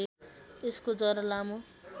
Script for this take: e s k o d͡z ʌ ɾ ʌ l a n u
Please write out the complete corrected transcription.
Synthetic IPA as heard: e s k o d͡z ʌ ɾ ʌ l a m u